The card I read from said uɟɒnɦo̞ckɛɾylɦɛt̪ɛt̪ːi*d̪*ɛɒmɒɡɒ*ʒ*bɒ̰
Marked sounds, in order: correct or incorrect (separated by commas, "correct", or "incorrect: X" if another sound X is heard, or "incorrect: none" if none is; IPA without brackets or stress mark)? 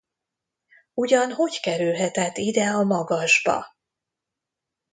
correct, correct